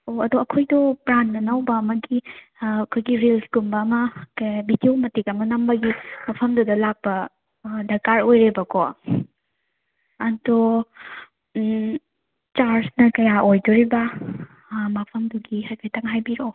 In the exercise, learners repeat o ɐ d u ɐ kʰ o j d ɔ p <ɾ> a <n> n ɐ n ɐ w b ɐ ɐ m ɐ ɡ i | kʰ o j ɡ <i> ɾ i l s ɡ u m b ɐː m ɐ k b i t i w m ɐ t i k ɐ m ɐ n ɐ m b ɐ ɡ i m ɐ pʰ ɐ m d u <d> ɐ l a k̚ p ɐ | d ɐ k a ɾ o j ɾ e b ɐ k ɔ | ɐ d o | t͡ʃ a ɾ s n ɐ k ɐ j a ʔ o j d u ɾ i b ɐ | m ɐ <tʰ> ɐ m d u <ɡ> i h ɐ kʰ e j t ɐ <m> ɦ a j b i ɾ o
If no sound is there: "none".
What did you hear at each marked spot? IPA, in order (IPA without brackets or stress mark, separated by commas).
ɾ, n, i, d, pʰ, ɡ, ŋ